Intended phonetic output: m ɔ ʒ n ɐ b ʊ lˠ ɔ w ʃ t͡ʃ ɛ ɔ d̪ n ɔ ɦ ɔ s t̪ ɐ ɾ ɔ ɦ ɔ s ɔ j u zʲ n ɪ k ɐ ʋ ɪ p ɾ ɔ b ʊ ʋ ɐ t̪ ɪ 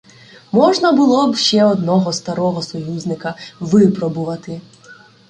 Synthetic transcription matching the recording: m ɔ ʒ n ɐ b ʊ lˠ ɔ b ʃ t͡ʃ ɛ ɔ d̪ n ɔ ɦ ɔ s t̪ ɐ ɾ ɔ ɦ ɔ s ɔ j u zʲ n ɪ k ɐ ʋ ɪ p ɾ ɔ b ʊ ʋ ɐ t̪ ɪ